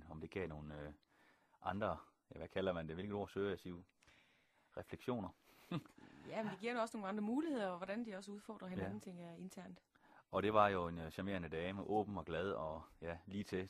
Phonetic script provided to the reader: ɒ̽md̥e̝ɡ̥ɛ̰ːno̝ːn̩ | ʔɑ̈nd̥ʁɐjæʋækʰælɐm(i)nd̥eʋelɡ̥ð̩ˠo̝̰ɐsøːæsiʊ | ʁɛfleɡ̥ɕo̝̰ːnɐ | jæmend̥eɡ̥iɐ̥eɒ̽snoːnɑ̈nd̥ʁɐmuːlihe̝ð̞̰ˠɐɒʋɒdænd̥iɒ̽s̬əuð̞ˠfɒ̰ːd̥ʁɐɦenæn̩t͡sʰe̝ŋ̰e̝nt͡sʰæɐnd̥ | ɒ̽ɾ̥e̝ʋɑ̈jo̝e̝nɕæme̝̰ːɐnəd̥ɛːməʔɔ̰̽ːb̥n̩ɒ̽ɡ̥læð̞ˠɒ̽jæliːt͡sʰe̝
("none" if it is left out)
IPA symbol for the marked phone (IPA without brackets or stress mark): æ